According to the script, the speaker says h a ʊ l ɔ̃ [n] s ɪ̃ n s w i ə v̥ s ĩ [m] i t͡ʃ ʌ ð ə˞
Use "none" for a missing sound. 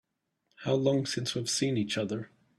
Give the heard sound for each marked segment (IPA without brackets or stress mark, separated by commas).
ŋ, n